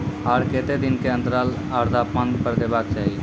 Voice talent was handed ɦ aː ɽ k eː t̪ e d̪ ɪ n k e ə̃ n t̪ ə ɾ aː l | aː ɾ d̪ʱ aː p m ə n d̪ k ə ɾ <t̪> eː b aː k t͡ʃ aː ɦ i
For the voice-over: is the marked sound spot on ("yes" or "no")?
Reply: no